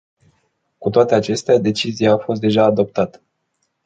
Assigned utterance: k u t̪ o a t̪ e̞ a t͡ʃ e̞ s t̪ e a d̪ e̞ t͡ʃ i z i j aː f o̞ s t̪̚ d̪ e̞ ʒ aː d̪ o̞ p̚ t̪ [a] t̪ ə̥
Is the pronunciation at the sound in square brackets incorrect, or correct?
correct